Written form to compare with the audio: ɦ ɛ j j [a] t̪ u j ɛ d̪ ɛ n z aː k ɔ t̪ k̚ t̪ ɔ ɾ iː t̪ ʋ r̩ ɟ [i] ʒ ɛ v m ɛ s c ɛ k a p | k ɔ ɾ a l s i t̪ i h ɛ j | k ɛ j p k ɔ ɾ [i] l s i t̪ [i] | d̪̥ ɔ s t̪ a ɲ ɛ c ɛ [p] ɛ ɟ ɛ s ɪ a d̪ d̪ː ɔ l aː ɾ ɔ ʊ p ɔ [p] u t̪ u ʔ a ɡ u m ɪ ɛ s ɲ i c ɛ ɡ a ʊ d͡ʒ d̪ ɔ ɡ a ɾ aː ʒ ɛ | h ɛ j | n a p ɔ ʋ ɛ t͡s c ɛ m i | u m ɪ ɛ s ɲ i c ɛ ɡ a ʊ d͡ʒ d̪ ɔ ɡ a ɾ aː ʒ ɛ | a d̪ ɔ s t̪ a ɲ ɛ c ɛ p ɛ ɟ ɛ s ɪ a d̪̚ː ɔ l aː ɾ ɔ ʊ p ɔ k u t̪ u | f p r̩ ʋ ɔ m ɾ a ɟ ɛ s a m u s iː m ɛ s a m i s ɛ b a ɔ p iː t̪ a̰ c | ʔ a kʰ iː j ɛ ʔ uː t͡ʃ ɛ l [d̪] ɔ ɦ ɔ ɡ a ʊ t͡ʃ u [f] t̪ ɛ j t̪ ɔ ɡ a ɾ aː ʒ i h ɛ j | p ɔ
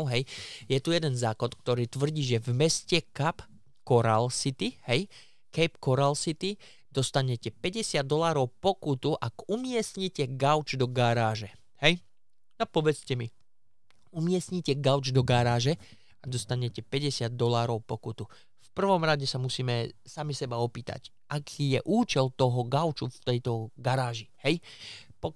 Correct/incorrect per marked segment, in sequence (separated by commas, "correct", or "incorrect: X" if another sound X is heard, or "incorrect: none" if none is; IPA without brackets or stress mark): incorrect: ɛ, incorrect: iː, incorrect: a, correct, correct, incorrect: k, incorrect: t̪, correct